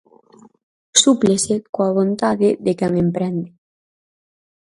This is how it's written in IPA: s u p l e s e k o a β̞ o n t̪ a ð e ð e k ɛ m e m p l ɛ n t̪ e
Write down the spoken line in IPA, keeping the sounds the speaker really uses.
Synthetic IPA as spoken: s u p l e s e k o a β̞ o n t̪ a ð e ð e k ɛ ŋ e m p ɾ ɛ n d̪ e